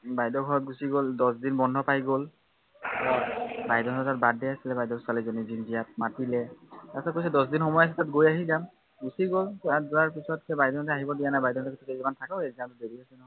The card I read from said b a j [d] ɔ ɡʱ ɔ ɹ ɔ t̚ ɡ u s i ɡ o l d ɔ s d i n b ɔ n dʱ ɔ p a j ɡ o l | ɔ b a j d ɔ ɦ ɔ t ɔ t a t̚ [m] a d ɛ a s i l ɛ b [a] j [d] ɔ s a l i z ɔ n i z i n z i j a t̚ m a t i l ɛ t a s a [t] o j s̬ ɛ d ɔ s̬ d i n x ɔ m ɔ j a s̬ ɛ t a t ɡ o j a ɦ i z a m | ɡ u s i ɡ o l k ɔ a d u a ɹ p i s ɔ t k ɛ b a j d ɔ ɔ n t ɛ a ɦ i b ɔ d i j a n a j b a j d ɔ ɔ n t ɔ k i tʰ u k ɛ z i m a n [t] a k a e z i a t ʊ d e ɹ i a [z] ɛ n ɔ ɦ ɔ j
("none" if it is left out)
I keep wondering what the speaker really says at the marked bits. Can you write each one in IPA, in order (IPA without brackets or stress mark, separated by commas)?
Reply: d, b, a, d, k, tʰ, s